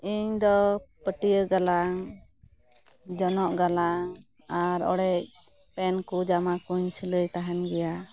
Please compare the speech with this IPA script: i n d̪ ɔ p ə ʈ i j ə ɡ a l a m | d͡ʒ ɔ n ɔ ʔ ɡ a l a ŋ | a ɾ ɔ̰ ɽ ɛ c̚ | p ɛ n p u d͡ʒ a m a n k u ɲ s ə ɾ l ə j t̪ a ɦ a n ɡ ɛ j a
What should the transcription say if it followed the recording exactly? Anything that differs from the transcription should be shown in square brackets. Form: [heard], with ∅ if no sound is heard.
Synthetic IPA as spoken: i [ɲ] d̪ ɔ p ə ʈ i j ə ɡ a l a [ŋ] | d͡ʒ ɔ n ɔ ʔ ɡ a l a ŋ | a ɾ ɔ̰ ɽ ɛ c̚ | p ɛ n [k] u d͡ʒ a m a [∅] k u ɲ s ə [∅] l ə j t̪ a ɦ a n ɡ ɛ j a